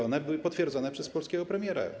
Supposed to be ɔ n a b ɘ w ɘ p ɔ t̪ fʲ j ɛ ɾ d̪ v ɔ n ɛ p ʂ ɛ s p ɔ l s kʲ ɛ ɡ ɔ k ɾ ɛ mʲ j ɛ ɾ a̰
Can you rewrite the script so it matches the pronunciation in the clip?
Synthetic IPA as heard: ɔ n ɛ b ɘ w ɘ p ɔ t̪ fʲ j ɛ ɾ d̪ z ɔ n ɛ p ʂ ɛ s p ɔ l s kʲ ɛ ɡ ɔ p ɾ ɛ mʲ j ɛ ɾ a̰